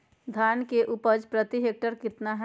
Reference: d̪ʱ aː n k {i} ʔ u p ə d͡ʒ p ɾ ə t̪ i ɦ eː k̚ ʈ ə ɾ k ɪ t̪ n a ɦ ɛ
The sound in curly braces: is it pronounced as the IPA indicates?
no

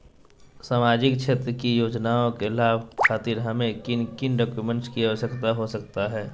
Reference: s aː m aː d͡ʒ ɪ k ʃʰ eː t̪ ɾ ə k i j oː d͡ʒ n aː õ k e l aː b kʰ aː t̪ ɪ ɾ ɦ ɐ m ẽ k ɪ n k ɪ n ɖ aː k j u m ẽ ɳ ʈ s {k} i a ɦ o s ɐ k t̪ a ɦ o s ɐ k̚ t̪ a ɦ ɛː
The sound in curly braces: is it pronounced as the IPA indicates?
yes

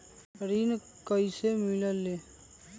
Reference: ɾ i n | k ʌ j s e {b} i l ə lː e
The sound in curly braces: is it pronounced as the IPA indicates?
no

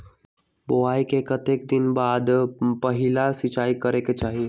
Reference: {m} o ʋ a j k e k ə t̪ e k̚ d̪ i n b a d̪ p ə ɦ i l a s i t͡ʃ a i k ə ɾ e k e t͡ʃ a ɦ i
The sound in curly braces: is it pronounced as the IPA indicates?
no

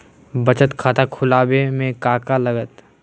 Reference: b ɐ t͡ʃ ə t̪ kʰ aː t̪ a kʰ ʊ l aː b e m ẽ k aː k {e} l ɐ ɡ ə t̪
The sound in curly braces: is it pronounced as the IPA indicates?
no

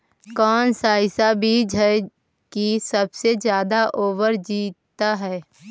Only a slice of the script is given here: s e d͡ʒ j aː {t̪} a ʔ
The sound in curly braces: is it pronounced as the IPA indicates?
no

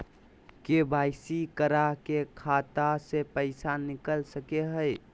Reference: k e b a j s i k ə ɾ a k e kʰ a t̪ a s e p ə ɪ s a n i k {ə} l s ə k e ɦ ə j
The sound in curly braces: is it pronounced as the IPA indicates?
yes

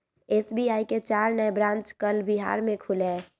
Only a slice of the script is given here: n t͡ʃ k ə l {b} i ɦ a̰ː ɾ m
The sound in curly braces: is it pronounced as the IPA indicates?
yes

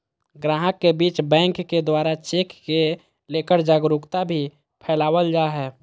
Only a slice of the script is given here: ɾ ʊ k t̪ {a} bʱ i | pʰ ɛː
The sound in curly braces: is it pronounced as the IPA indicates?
yes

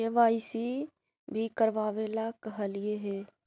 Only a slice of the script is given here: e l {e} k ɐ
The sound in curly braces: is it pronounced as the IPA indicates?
no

